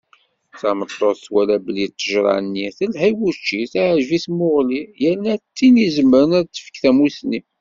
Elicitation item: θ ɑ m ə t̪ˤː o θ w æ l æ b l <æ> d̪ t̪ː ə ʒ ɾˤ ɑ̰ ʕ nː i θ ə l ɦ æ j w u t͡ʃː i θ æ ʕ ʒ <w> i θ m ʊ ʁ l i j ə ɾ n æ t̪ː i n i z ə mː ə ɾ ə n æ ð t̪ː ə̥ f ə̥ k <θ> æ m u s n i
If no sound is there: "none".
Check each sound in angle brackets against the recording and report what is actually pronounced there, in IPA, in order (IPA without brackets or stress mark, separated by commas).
i, v, θ